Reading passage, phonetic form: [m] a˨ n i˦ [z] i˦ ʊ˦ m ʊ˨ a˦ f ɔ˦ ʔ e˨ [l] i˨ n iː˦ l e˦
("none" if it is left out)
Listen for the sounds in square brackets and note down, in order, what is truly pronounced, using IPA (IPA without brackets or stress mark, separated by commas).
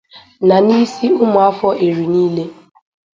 n, s, ɾ